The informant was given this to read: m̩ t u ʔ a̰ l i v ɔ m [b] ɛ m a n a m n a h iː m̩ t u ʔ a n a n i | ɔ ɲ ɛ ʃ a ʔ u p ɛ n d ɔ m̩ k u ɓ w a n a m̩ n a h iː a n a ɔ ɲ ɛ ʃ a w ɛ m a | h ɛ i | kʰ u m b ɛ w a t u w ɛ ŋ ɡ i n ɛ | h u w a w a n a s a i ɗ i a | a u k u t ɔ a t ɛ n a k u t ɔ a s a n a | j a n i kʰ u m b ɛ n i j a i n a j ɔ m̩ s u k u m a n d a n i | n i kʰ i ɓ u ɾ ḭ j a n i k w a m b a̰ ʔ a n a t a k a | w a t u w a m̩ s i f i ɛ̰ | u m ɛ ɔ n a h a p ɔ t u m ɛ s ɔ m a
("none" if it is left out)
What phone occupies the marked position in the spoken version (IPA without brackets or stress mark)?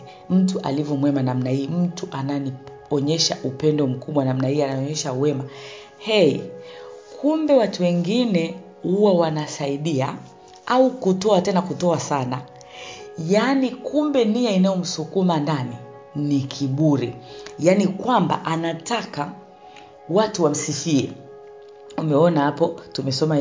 w